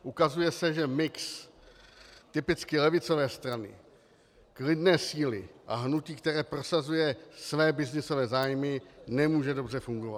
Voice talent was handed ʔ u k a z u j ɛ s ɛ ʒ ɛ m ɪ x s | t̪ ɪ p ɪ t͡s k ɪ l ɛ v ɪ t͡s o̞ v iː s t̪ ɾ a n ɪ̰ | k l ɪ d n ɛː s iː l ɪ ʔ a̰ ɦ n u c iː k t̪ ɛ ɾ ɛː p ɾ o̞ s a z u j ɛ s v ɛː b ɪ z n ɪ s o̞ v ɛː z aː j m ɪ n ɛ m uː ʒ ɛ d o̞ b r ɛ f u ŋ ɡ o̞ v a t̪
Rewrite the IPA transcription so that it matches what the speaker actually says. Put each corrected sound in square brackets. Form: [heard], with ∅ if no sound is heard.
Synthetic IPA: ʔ u k a z u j ɛ s ɛ ʒ ɛ m ɪ [k] s | t̪ ɪ p ɪ t͡s k ɪ l ɛ v ɪ t͡s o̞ v [ɛː] s t̪ ɾ a n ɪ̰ | k l ɪ d n ɛː s iː l ɪ ʔ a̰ ɦ n u c iː k t̪ ɛ ɾ ɛː p ɾ o̞ s a z u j ɛ s v ɛː b ɪ z n ɪ s o̞ v ɛː z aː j m ɪ n ɛ m uː ʒ ɛ d o̞ b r ɛ f u ŋ ɡ o̞ v a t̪